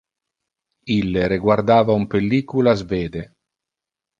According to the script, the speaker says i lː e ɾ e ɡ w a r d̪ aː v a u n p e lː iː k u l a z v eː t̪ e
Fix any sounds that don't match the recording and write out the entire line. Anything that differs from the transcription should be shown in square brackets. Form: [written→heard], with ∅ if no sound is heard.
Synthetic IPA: i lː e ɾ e ɡ w a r d̪ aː v a u [n→m] p e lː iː k u l a z v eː [t̪→d̪] e